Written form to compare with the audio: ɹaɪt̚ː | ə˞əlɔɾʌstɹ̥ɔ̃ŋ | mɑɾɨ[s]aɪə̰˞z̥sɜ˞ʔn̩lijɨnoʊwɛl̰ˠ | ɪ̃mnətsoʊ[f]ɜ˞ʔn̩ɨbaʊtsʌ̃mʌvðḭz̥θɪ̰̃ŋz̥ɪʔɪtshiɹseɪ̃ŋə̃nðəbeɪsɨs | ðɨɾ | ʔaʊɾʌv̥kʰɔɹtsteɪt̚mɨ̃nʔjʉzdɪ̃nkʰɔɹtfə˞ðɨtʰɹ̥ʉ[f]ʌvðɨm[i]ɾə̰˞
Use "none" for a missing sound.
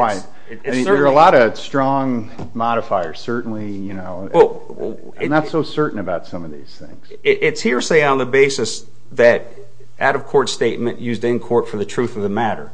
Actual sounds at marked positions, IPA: f, s, θ, æ

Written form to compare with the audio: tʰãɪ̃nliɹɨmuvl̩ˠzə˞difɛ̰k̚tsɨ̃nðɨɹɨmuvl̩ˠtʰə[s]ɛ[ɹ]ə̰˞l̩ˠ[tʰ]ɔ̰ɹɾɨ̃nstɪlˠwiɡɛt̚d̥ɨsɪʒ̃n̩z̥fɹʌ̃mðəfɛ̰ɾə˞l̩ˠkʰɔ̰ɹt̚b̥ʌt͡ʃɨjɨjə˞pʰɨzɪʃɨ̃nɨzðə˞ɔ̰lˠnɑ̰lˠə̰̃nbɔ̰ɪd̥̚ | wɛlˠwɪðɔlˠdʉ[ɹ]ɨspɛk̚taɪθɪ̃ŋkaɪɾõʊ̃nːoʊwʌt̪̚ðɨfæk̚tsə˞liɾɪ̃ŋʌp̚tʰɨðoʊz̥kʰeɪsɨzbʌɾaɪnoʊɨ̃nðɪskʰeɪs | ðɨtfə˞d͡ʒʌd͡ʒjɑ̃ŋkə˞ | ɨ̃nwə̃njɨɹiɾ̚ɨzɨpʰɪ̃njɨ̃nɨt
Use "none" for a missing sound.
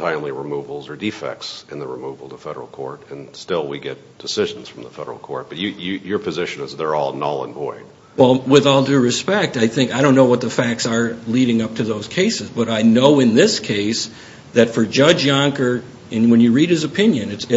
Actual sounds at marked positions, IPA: f, ɾ, kʰ, ɹ

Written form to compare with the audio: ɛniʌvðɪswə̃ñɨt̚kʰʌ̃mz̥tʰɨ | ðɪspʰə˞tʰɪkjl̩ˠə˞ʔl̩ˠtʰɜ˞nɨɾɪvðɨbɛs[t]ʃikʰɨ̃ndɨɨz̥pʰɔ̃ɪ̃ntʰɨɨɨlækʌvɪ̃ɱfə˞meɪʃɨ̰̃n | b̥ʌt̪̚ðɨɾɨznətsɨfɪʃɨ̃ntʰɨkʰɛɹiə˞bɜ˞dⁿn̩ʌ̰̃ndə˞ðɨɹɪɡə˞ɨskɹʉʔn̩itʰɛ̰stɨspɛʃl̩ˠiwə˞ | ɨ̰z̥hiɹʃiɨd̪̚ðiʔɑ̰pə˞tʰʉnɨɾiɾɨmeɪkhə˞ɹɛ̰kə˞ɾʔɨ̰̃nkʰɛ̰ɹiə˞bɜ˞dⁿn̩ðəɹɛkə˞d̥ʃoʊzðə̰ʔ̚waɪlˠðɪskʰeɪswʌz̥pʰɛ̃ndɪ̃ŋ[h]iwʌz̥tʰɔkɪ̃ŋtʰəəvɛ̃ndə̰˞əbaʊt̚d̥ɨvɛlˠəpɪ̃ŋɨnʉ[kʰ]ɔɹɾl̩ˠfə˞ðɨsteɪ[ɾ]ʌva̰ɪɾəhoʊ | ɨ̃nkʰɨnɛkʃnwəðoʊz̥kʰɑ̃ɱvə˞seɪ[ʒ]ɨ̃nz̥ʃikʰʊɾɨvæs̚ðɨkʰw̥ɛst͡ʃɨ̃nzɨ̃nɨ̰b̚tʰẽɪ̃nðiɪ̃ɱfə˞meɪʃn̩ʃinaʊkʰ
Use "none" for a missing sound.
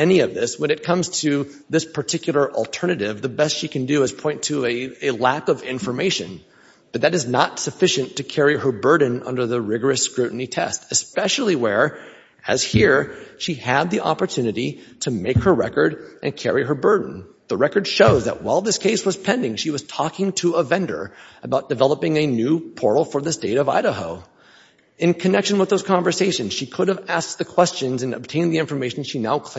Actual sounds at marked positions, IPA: t, ʃ, pʰ, ɾ, ʃ

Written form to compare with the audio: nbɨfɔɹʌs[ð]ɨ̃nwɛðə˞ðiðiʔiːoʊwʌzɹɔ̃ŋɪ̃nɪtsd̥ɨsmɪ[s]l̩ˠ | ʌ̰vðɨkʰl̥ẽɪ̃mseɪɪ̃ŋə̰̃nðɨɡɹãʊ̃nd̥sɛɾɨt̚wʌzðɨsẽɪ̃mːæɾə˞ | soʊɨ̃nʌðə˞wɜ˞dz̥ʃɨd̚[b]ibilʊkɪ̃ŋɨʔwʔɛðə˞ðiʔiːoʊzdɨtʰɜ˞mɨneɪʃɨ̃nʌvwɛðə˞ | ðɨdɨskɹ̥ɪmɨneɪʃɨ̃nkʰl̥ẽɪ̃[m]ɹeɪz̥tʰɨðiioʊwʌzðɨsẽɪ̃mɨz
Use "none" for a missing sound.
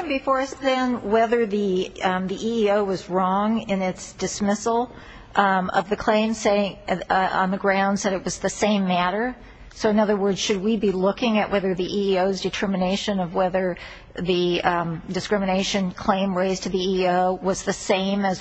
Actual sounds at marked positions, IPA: ð, s, w, m

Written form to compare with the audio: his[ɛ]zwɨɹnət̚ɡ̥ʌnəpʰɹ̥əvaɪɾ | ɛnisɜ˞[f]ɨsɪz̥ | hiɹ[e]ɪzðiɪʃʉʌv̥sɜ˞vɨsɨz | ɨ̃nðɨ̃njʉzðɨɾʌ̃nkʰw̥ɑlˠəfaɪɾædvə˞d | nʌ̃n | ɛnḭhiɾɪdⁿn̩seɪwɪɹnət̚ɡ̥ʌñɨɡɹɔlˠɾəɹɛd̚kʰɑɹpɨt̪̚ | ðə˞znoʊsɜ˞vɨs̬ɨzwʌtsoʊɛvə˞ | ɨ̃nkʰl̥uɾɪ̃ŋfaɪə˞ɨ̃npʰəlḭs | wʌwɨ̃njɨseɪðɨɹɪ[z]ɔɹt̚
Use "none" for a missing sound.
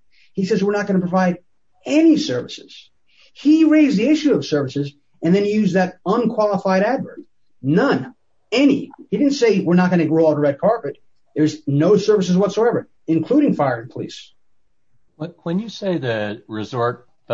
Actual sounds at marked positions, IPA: ɛ, v, e, z

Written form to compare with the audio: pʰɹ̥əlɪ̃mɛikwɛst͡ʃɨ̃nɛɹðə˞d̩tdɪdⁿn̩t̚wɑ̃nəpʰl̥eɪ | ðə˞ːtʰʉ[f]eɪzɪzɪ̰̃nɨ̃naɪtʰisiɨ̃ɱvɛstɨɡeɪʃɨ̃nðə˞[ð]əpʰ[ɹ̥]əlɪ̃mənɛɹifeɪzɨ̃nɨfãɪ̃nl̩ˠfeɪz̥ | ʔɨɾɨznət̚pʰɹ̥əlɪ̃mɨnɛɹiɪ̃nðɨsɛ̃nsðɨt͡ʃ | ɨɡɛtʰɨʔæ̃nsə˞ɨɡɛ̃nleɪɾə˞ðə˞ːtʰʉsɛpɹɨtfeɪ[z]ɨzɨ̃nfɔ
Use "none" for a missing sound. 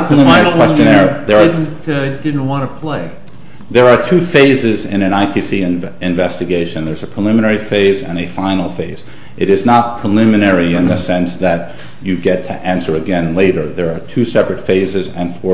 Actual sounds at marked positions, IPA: f, z, ɹ̥, z

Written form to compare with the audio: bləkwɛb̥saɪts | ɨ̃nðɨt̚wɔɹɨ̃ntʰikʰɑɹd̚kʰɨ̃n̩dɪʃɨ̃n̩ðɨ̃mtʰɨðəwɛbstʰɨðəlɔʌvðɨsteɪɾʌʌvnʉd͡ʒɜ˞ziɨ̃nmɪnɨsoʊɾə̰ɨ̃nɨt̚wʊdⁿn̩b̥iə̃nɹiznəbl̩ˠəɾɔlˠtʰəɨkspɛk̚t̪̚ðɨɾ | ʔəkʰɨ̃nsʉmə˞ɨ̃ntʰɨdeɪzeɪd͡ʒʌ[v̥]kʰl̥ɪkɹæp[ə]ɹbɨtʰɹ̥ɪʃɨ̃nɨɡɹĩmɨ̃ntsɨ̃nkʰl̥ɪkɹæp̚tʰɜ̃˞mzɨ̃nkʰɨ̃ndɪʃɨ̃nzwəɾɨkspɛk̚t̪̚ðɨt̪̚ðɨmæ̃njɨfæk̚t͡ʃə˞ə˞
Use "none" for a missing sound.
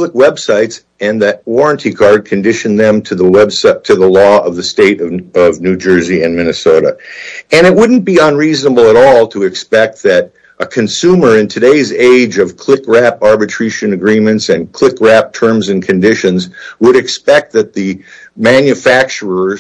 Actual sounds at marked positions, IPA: v̥, ɑ

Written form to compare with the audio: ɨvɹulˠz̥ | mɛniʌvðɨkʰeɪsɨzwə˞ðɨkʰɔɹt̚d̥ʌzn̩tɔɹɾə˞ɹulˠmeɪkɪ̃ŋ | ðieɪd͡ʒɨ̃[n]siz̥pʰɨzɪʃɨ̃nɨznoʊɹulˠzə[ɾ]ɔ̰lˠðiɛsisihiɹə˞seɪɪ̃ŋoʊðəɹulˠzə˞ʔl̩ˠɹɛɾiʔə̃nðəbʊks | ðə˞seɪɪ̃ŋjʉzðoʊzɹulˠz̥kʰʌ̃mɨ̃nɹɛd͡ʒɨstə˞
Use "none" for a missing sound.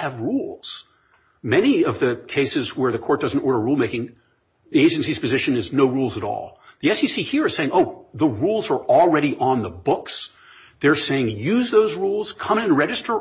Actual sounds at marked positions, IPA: n, ɾ

